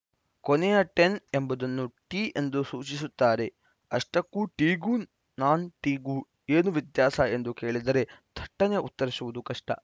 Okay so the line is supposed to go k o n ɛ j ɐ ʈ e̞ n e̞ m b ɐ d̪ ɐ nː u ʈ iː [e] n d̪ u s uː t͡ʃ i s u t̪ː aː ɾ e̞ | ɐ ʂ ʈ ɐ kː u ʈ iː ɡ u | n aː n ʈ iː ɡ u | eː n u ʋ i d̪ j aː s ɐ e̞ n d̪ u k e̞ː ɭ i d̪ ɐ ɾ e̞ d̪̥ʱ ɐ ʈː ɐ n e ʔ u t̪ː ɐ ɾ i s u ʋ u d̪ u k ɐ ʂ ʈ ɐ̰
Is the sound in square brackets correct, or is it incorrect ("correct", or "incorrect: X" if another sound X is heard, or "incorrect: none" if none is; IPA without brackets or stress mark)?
correct